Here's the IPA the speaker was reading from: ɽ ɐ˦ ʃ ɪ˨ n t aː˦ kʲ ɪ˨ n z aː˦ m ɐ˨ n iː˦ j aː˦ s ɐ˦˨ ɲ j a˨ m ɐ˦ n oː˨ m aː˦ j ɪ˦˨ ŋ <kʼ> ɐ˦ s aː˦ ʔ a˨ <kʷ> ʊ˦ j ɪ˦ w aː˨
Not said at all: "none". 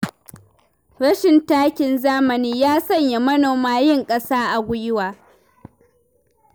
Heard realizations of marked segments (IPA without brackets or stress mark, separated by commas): kʼ, ɡʷ